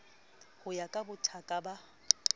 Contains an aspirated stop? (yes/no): yes